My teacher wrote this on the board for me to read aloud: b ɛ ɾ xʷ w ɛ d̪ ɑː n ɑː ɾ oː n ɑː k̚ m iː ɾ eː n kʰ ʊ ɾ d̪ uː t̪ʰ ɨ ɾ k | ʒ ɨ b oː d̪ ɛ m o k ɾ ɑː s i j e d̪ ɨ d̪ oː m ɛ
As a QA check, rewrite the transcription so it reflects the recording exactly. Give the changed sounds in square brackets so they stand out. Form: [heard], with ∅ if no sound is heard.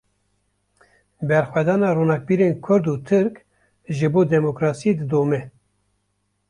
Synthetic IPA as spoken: b ɛ ɾ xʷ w ɛ d̪ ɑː n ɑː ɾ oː n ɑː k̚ [b] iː ɾ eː n kʰ ʊ ɾ d̪ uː t̪ʰ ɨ ɾ k | ʒ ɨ b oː d̪ ɛ m o k ɾ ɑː s i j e d̪ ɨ d̪ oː m ɛ